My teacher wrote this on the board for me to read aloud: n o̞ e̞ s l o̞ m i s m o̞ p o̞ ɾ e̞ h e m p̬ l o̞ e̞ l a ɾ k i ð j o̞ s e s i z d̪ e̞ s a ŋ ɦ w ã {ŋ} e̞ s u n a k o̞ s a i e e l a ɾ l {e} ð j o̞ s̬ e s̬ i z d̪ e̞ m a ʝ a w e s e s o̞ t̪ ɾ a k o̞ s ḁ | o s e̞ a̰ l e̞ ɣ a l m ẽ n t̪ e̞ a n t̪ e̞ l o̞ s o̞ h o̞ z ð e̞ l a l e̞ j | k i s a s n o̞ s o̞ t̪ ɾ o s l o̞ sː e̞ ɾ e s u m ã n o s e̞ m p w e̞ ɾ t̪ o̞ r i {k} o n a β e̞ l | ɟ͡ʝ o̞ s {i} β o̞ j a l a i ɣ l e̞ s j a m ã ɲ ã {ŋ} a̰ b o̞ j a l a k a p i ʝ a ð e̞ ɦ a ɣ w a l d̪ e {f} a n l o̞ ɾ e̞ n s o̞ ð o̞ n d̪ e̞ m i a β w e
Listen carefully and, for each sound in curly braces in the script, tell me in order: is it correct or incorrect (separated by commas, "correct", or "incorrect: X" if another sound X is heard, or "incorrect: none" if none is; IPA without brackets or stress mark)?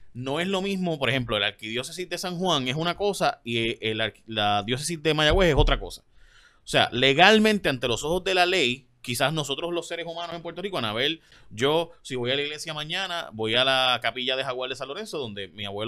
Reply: correct, incorrect: a, correct, correct, incorrect: n, incorrect: s